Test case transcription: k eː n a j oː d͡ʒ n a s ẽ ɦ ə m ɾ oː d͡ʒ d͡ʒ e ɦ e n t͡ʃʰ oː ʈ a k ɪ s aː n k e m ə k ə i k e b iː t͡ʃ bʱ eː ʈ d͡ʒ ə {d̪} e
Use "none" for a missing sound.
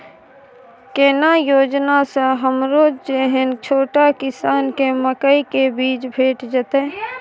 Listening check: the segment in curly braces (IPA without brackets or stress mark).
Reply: t̪